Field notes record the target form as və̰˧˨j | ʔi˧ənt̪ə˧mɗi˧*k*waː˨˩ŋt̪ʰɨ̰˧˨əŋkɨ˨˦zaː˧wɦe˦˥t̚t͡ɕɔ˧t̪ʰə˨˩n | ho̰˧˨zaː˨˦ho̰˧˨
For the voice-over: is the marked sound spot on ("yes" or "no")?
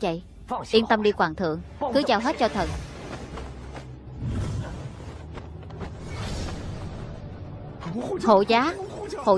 yes